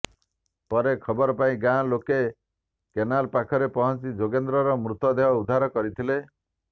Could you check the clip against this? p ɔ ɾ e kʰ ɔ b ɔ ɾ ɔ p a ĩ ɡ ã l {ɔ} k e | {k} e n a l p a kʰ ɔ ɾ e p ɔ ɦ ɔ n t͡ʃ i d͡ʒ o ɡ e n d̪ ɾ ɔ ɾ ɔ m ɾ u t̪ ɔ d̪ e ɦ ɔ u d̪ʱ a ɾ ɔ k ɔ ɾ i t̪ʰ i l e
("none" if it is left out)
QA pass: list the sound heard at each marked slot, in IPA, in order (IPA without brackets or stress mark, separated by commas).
o, k